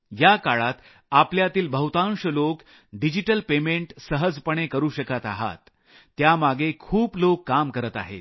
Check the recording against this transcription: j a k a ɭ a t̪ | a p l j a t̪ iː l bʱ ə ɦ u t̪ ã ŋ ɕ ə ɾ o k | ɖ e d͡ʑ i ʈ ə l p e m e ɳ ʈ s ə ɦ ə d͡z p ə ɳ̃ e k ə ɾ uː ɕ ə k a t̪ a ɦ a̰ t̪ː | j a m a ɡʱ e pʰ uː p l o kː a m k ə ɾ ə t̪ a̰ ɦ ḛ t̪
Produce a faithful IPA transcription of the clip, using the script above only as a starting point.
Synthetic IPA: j a k a ɭ a t̪ | a p l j a t̪ iː l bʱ ə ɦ u t̪ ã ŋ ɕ ə l o k | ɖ i d͡ʑ i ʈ ə l p e m e ɳ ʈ s ə ɦ ə d͡z p ə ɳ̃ e k ə ɾ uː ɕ ə k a t̪ a ɦ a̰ t̪ː | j a m a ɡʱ e kʰ uː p l o kː a m k ə ɾ ə t̪ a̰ ɦ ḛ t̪